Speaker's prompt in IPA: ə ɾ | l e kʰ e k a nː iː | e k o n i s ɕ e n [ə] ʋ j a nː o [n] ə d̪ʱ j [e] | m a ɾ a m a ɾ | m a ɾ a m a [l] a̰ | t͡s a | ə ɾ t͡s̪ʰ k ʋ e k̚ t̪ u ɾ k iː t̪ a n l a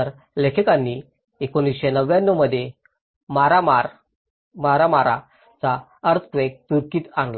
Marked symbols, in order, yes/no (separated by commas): yes, no, yes, no